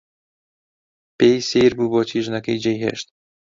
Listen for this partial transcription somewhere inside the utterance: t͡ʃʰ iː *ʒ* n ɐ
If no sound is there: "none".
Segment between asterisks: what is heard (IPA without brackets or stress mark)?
ʒ